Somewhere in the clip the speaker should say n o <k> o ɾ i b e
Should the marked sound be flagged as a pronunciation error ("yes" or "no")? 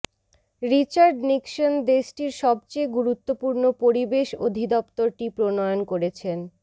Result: yes